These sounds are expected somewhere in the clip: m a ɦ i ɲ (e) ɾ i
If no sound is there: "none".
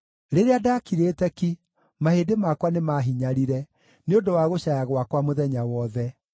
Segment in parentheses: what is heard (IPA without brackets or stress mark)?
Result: a